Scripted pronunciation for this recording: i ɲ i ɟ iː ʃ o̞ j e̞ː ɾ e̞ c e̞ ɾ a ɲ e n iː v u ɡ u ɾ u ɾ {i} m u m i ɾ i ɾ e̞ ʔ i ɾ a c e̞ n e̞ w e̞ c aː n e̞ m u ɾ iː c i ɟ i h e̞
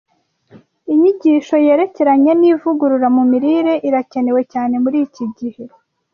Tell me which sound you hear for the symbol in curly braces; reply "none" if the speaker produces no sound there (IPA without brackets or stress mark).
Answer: a